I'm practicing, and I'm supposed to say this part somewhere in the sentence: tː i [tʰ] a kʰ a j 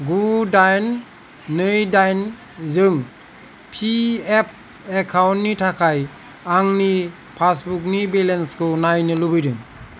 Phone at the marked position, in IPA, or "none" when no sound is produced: tʰ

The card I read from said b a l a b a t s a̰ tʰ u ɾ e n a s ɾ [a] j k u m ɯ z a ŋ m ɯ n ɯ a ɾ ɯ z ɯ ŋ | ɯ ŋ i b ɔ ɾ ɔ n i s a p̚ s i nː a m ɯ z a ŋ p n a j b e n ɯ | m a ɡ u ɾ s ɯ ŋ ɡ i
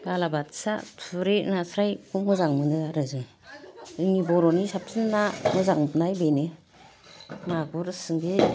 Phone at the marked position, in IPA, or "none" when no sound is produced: a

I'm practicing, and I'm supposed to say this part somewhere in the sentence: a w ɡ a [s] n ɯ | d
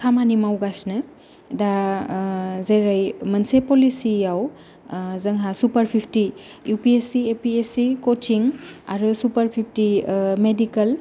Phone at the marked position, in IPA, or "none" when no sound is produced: s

